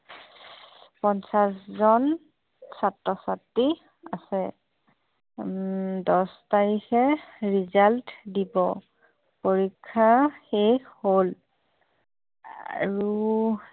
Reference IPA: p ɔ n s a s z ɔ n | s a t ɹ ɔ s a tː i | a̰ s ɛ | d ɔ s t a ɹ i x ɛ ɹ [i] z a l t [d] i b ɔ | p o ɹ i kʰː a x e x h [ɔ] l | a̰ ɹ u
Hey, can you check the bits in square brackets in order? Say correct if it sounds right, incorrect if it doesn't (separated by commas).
correct, correct, incorrect